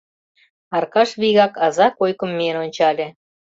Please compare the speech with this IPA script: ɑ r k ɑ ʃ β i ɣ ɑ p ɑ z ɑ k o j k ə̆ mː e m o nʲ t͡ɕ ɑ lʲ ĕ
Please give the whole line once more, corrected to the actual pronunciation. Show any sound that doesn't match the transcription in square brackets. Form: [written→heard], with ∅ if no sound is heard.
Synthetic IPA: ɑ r k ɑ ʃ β i ɣ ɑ [p→k] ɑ z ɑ k o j k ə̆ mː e [m→n] o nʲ t͡ɕ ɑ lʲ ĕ